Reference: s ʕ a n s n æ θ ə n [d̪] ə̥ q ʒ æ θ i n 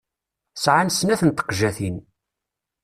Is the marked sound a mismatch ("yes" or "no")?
yes